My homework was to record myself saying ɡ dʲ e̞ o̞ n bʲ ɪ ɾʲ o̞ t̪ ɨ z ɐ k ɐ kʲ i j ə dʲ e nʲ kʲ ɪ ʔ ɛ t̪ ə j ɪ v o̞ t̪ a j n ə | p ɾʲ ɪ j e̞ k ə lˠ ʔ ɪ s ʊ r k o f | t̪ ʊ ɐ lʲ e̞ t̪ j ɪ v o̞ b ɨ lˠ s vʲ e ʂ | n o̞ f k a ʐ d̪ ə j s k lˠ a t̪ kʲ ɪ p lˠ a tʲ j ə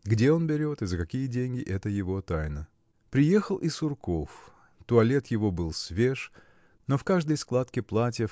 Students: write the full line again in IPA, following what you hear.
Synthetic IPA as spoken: ɡ dʲ e̞ o̞ n bʲ ɪ ɾʲ o̞ t̪ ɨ z ə k ɐ kʲ i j ə dʲ e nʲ ɡʲ ɪ ʔ ɛ t̪ ə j ɪ v o̞ t̪ a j n ə | p ɾʲ ɪ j e̞ x ə lˠ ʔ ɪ s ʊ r k o f | t̪ ʊ ɐ lʲ e̞ t̪ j ɪ v o̞ b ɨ lˠ s vʲ e ʂ | n o̞ f k a ʐ d̪ ə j s k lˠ a t̪ kʲ ɪ p lˠ a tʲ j ə